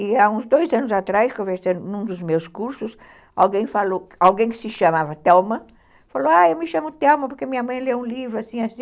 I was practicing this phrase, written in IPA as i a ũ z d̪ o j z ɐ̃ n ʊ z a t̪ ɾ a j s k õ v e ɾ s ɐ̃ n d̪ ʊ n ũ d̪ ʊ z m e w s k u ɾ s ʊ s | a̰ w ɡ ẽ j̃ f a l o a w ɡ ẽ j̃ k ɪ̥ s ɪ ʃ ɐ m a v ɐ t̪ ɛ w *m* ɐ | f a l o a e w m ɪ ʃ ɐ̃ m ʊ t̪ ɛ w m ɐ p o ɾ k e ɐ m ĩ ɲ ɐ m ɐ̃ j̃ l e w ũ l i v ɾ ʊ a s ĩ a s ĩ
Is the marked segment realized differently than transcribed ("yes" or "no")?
no